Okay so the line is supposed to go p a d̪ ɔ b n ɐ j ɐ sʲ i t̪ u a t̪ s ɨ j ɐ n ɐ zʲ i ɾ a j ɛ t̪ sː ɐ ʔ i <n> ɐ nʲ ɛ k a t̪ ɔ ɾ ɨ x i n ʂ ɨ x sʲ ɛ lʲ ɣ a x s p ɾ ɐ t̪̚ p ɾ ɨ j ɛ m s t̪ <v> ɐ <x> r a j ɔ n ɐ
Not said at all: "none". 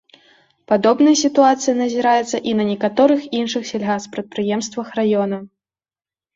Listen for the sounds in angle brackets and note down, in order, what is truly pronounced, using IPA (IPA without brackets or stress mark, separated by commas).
n, v, x